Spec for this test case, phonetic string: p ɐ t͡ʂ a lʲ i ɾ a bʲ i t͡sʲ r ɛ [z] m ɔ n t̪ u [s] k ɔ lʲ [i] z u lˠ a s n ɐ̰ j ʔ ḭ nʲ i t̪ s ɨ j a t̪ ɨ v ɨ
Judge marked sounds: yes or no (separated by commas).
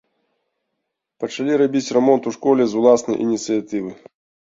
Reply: no, no, no